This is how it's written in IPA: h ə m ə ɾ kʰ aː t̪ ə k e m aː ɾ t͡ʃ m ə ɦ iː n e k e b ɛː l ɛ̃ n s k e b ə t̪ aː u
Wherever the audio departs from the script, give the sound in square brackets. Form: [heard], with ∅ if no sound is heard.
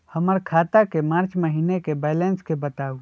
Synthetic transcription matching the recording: h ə m ə ɾ kʰ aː t̪ [a] k e m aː ɾ t͡ʃ m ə ɦ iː n e k e b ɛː l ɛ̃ n s k e b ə t̪ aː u